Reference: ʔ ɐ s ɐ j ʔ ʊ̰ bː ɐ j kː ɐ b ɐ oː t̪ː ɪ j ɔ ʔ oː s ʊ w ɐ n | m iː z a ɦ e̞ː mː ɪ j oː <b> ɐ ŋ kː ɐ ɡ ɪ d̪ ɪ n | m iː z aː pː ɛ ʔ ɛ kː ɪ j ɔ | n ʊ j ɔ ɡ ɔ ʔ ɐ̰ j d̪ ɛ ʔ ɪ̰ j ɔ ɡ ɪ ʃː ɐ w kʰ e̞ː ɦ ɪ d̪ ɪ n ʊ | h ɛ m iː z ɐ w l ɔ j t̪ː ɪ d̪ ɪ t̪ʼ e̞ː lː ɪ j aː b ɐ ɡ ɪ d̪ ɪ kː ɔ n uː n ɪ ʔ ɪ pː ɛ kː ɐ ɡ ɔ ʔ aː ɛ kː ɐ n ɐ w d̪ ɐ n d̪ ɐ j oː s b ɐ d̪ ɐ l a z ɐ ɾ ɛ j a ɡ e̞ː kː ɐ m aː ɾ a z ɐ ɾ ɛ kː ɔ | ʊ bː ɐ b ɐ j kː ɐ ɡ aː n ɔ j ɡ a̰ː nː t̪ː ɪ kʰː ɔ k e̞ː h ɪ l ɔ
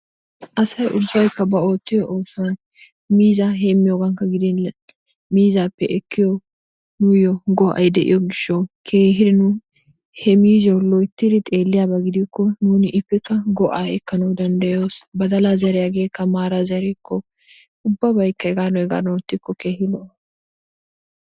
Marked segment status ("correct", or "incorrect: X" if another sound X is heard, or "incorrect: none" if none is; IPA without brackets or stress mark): incorrect: ɡ